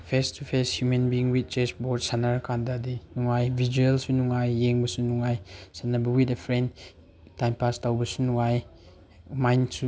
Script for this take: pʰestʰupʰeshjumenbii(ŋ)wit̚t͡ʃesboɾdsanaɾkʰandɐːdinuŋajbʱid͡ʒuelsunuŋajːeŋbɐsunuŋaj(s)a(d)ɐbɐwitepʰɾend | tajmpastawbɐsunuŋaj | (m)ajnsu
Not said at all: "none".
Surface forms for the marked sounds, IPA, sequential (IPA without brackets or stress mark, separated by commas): ŋ, s, n, m